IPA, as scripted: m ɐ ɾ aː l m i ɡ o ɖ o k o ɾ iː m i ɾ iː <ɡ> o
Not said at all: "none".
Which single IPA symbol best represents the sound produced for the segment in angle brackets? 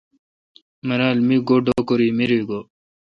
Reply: ɡ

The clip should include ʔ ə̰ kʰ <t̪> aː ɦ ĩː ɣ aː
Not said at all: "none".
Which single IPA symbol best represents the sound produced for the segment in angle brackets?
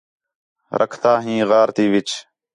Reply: t̪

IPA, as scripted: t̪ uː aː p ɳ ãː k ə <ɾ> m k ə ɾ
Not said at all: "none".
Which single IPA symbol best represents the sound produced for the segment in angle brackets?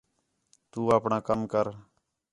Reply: none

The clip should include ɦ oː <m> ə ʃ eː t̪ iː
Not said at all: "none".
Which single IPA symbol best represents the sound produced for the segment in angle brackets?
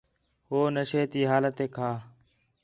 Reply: n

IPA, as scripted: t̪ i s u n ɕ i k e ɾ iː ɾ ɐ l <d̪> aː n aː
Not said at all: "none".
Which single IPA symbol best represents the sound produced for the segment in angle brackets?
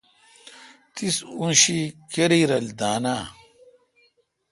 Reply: d̪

